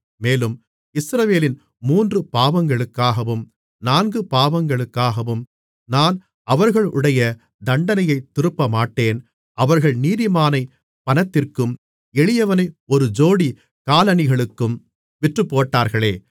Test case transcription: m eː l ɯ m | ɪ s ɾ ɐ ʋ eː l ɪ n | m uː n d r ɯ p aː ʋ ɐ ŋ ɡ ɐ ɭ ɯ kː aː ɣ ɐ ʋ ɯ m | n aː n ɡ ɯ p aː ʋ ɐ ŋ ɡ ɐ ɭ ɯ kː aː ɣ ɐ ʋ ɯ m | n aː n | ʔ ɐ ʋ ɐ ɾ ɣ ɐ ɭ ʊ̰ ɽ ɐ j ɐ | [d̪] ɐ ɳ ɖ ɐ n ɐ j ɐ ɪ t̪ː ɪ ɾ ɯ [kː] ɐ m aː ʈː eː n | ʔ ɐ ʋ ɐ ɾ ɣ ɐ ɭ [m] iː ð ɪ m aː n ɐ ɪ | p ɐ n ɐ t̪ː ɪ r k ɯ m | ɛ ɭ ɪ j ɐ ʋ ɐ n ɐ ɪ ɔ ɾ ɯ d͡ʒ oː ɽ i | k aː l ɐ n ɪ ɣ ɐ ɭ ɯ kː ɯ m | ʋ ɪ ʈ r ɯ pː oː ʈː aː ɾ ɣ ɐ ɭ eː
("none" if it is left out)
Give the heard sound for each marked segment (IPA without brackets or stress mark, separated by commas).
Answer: d̪, pː, n